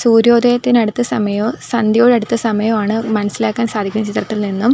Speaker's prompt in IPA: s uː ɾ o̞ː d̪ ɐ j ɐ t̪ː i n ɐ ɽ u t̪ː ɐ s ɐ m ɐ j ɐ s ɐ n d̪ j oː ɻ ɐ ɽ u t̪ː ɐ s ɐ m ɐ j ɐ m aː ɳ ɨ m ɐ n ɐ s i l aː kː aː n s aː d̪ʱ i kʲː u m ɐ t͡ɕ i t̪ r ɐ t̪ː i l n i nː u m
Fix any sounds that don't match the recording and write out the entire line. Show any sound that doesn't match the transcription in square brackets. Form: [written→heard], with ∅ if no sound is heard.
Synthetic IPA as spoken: s uː ɾ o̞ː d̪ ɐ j ɐ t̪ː i n ɐ ɽ u t̪ː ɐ s ɐ m ɐ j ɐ s ɐ n d̪ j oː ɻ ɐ ɽ u t̪ː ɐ s ɐ m ɐ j ɐ m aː ɳ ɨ m ɐ n ɐ s i l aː kː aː n s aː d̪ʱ i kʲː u m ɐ t͡ɕ i t̪ r ɐ t̪ː i l n i nː u m